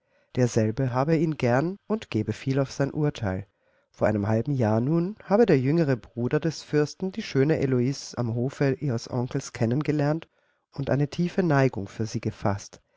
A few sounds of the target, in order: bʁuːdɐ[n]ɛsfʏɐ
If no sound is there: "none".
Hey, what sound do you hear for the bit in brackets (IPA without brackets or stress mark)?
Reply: d